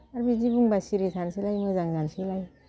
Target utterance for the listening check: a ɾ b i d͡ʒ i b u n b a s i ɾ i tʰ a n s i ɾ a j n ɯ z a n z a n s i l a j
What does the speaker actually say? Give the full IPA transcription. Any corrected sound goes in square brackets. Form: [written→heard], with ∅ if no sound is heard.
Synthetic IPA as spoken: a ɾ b i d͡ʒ i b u [n→ŋ] b a s i ɾ i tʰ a n s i [ɾ→l] a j [n→m] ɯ z a [n→ŋ] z a n s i l a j